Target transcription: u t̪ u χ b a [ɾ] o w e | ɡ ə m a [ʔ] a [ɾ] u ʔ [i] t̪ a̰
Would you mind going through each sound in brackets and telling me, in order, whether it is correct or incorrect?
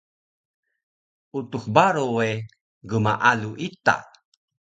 correct, correct, incorrect: l, correct

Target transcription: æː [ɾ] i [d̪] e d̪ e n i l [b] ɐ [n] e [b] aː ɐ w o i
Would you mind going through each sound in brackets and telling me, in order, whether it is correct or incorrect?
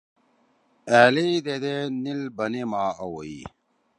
incorrect: l, correct, correct, correct, incorrect: m

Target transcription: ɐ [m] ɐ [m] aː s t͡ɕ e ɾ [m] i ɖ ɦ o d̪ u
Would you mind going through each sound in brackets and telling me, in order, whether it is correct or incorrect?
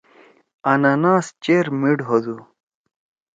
incorrect: n, incorrect: n, correct

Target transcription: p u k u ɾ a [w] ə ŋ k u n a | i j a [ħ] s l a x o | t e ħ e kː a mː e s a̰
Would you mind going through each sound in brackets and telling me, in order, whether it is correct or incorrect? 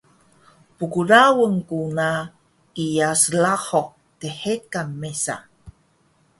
correct, incorrect: none

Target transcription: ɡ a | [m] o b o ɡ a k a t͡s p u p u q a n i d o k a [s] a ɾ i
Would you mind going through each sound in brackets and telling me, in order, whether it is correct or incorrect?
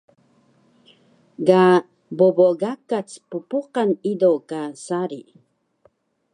incorrect: b, correct

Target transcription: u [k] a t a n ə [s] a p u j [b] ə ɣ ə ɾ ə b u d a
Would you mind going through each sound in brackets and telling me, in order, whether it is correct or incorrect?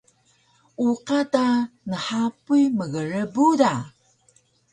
incorrect: q, incorrect: ħ, incorrect: m

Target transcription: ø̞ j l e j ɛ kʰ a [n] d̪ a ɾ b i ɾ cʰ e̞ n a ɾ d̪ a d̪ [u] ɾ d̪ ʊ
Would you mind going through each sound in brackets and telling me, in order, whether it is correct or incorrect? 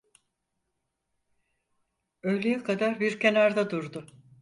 incorrect: none, correct

